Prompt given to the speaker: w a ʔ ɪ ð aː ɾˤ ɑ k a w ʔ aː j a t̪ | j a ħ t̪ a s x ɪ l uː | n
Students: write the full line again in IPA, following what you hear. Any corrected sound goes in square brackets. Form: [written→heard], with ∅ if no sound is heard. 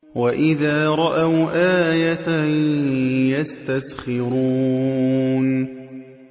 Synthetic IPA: w a ʔ ɪ ð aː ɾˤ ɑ [k→ʔ] a w ʔ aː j a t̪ | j a [ħ→s] t̪ a s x ɪ [l→ɾ] uː | n